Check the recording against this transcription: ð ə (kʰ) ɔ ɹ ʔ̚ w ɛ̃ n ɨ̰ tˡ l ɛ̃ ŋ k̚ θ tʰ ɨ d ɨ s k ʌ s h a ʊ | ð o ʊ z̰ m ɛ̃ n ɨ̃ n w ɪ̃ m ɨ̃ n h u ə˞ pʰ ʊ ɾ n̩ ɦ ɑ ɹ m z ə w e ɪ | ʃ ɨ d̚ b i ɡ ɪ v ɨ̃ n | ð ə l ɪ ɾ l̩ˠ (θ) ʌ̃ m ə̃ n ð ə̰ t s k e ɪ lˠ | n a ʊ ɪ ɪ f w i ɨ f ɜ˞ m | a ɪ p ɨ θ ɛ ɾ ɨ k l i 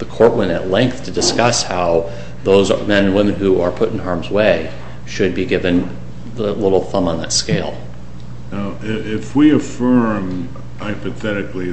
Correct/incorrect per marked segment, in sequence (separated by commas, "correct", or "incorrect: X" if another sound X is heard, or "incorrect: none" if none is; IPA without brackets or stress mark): correct, correct